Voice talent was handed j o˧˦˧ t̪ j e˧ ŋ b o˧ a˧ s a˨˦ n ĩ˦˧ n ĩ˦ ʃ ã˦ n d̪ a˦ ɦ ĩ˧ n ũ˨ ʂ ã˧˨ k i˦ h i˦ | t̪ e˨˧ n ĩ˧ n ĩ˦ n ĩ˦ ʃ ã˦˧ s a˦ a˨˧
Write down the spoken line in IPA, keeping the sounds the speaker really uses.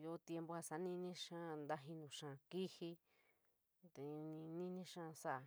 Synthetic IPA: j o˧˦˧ t̪ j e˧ m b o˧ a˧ s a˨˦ n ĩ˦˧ n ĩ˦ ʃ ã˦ n d̪ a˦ ɦ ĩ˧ n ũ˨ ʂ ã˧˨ k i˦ h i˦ | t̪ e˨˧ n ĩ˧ n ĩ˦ n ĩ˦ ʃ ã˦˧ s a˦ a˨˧